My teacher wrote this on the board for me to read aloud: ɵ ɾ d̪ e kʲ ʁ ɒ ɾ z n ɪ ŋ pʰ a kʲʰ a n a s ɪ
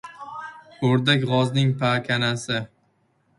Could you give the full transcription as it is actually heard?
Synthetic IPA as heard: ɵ ɾ d̪ a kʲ ʁ ɒ z n ɪ ŋ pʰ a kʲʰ a n a s ɪ